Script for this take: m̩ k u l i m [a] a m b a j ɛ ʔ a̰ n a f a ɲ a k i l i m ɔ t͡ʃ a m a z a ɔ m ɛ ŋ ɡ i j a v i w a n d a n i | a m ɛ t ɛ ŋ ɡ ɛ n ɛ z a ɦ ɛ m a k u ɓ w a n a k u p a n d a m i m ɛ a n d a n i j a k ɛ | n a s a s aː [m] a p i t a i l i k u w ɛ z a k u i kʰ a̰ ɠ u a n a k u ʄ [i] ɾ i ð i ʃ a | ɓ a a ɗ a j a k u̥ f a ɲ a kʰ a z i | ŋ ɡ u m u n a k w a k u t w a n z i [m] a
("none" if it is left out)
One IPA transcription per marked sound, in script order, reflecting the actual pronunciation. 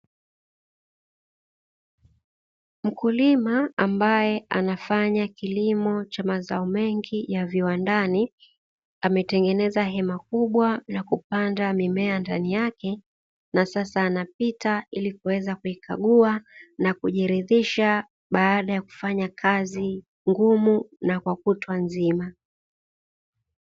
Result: a, n, i, m

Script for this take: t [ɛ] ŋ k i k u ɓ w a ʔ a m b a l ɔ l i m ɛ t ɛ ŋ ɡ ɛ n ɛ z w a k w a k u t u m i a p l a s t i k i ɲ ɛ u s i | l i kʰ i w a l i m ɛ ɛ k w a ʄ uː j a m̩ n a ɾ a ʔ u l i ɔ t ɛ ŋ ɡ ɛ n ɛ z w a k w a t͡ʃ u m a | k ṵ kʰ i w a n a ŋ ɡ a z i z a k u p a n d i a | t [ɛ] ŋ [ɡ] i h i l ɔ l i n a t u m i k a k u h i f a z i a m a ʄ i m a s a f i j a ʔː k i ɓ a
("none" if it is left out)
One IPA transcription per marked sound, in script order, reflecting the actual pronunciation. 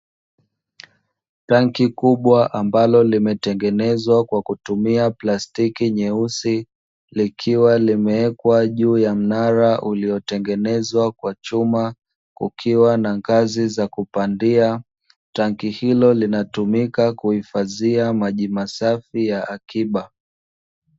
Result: a, a, k

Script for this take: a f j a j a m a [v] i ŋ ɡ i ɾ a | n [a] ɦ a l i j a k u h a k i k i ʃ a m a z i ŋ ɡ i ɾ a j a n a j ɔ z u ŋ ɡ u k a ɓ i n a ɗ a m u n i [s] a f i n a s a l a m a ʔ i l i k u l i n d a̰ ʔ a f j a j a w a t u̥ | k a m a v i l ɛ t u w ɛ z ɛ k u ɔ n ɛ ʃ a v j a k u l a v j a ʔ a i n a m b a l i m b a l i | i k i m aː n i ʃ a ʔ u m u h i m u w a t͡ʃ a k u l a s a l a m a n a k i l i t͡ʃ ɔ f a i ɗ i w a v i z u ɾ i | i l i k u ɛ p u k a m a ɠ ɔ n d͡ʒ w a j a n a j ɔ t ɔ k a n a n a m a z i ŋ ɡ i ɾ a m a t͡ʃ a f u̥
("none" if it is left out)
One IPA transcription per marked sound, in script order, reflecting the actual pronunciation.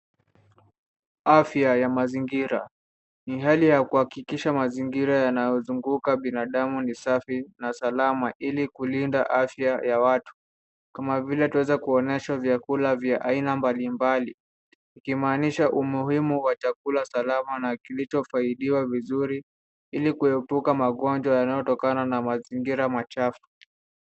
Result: z, i, s

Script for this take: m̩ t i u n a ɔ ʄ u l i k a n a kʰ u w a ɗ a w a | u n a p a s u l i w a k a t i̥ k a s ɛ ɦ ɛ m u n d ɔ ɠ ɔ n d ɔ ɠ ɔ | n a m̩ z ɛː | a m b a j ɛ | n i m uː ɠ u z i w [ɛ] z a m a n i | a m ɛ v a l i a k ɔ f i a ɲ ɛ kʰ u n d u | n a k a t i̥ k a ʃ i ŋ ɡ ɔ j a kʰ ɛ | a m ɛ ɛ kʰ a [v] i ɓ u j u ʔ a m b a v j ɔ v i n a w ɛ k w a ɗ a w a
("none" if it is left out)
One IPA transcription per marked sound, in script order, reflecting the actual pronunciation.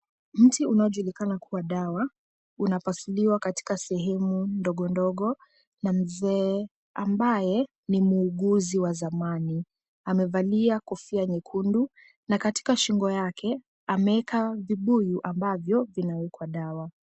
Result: a, v

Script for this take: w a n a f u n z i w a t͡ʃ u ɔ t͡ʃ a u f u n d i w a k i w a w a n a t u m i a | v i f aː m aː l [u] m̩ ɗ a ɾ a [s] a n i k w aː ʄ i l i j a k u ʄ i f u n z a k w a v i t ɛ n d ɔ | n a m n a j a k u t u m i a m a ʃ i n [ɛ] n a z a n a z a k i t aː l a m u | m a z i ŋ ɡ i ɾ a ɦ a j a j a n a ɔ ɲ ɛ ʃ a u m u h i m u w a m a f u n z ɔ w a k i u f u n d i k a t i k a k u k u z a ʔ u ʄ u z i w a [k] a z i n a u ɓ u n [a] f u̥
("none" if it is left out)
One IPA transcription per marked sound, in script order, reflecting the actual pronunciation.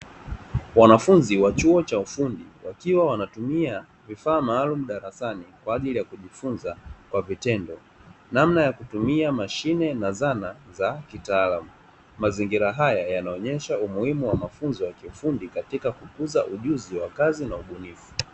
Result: u, s, ɛ, k, i

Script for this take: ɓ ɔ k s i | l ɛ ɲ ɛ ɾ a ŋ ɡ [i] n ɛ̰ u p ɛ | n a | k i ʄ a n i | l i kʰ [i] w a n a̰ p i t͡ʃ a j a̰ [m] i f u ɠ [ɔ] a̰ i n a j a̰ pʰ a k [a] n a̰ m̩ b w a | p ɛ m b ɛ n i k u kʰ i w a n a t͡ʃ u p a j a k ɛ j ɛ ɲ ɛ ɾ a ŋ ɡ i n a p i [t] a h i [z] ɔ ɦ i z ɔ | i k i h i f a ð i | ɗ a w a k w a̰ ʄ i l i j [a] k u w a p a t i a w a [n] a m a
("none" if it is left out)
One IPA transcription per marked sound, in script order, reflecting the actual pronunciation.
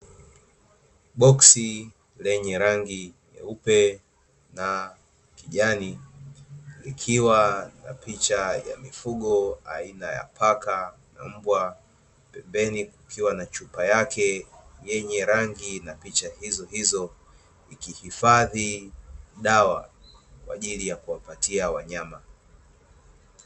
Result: i, i, m, ɔ, a, t͡ʃ, z, a, ɲ

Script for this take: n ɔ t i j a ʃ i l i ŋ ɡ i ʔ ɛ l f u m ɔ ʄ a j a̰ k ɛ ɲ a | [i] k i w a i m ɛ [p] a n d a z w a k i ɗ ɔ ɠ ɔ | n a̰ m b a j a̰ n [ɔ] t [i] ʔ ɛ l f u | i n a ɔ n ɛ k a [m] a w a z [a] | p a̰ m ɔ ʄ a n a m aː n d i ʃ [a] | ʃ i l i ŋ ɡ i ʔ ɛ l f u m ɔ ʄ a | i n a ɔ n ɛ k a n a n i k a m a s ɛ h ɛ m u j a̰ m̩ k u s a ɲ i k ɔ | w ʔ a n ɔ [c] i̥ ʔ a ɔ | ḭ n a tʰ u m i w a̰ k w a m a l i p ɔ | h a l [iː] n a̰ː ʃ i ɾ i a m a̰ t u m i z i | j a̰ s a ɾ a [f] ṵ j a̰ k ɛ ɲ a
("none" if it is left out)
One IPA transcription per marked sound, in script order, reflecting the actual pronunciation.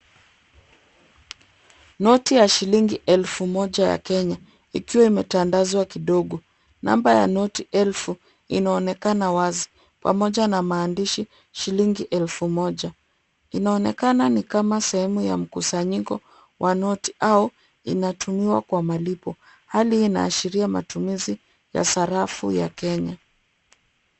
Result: i, t, ɔ, i, n, i, i, t, iː, f

